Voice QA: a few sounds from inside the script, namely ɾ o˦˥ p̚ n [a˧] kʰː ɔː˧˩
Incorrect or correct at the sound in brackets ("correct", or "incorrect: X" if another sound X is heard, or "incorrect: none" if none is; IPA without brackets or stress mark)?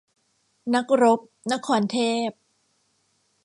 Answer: incorrect: a˦˥